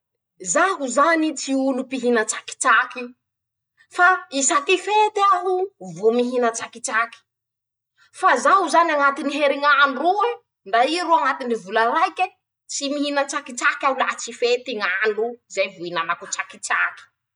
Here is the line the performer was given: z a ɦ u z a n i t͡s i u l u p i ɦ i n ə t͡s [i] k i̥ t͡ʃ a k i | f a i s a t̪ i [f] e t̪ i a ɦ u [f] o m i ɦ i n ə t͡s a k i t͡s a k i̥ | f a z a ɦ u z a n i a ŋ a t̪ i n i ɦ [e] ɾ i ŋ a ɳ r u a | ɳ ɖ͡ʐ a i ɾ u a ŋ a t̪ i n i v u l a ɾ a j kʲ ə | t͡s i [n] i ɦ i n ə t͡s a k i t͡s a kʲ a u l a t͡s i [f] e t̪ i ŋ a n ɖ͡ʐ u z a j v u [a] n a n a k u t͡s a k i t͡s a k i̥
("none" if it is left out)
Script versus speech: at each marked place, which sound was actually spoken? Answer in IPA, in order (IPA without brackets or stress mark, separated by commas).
a, f, v, e, m, f, i